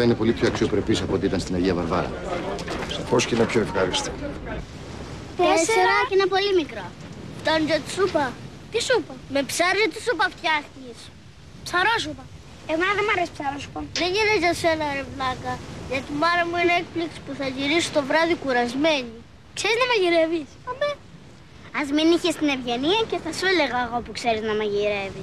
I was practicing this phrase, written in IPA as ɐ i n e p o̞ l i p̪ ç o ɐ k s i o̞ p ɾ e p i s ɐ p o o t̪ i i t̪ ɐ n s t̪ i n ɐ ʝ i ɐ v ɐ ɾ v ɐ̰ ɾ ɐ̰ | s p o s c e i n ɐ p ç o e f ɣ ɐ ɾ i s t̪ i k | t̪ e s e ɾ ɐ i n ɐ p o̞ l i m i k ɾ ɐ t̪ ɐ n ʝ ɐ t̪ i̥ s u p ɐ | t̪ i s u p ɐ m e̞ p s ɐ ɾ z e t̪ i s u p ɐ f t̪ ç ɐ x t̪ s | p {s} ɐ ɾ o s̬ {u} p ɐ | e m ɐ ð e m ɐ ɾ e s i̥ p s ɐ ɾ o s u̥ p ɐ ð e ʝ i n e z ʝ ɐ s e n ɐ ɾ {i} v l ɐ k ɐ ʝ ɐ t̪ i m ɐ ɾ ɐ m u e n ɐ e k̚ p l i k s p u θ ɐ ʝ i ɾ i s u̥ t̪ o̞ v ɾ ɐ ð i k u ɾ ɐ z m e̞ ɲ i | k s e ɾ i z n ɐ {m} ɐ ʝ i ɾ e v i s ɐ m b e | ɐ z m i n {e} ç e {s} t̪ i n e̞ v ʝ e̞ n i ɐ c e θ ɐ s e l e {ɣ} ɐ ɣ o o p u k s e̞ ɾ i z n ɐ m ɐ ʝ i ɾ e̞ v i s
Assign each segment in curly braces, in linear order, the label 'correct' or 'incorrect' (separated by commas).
correct, correct, incorrect, correct, incorrect, correct, correct